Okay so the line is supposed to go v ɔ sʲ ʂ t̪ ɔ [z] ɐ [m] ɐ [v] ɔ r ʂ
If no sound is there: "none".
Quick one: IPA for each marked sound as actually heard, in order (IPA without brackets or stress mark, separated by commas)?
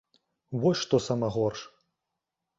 s, m, ɣ